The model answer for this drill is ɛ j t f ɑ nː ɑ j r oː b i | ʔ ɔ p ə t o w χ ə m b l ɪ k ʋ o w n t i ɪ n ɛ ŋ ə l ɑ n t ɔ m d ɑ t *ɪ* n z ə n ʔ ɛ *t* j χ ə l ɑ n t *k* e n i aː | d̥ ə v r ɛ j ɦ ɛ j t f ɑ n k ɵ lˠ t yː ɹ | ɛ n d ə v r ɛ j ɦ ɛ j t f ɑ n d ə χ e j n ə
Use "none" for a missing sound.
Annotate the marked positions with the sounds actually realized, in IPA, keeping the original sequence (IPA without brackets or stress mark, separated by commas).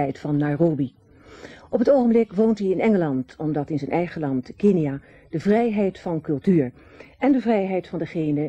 ɪ, none, k